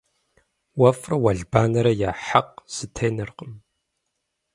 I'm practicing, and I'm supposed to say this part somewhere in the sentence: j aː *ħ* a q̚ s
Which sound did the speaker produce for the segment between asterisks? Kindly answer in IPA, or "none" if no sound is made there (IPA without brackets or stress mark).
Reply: ħ